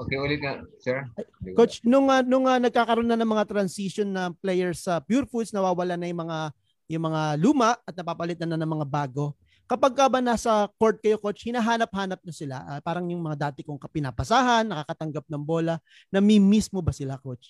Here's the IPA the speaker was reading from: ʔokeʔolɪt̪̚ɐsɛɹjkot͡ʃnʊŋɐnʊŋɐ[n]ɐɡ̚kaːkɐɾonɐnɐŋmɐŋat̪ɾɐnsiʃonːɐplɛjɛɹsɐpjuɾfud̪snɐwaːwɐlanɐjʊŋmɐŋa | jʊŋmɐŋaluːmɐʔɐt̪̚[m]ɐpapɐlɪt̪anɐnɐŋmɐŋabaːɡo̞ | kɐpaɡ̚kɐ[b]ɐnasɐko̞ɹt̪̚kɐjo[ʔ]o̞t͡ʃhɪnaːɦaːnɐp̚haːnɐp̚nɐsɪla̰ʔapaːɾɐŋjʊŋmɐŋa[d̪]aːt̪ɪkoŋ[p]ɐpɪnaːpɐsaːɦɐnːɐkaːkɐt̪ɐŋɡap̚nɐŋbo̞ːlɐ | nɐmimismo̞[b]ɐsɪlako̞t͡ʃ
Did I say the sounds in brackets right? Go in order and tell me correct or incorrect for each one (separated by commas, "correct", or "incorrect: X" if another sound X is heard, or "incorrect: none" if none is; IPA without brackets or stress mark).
correct, incorrect: n, correct, incorrect: k, correct, incorrect: k, correct